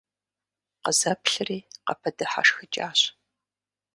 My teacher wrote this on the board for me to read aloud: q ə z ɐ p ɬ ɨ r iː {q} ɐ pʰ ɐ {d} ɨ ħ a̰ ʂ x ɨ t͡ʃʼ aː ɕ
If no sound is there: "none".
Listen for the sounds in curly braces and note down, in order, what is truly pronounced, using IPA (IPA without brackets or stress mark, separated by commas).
q, d